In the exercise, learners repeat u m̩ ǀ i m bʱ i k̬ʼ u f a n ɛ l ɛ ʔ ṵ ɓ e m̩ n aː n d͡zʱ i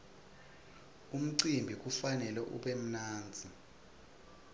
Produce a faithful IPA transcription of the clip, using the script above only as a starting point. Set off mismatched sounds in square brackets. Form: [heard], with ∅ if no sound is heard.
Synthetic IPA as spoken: u m̩ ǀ i m bʱ i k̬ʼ u f a n ɛ l ɛ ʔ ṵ ɓ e m̩ n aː n d͡zʱ i